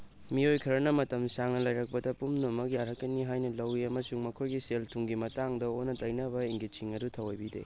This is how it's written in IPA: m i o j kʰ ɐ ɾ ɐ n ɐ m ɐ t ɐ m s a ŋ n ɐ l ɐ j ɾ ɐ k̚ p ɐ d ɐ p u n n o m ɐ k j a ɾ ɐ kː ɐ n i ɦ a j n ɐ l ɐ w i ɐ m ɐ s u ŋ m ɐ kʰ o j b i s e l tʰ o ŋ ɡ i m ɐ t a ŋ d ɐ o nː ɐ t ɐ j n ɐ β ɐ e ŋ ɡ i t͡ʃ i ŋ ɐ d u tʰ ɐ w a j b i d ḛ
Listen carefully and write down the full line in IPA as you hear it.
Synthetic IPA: m i o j kʰ ɐ ɾ ɐ n ɐ m ɐ t ɐ m s a ŋ n ɐ l ɐ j ɾ ɐ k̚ p ɐ d ɐ p u m n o m ɐ k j a ɾ ɐ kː ɐ n i ɦ a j n ɐ l ɐ w i ɐ m ɐ s u ŋ m ɐ kʰ o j ɡ i s e l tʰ u ŋ ɡ i m ɐ t a ŋ d ɐ o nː ɐ t ɐ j n ɐ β ɐ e ŋ ɡ i t͡ʃ i ŋ ɐ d u tʰ ɐ w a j b i d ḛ